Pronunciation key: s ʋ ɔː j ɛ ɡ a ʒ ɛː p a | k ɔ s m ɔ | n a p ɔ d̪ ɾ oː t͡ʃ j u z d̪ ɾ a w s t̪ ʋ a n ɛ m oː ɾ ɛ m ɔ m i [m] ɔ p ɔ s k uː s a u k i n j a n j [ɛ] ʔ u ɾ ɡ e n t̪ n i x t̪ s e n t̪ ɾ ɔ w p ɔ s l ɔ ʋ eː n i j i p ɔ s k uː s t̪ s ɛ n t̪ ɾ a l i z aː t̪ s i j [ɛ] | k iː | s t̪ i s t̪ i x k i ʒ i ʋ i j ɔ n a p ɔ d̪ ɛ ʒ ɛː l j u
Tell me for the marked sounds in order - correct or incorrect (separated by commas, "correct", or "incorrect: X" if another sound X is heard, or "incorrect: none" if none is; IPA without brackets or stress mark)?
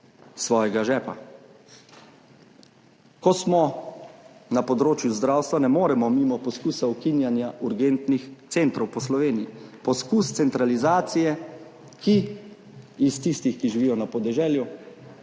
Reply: correct, incorrect: a, correct